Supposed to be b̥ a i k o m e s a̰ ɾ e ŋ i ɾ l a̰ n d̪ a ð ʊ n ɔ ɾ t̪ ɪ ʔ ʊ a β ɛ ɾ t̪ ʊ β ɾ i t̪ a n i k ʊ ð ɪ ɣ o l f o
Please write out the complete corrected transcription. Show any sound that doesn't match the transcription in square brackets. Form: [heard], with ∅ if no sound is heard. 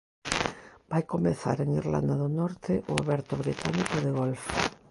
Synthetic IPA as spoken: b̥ a [j] k o m e [θ] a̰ ɾ e ŋ i ɾ l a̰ n d̪ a ð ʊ n ɔ ɾ t̪ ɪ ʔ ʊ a β ɛ ɾ t̪ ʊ β ɾ i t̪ a n i k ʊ ð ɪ ɣ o l f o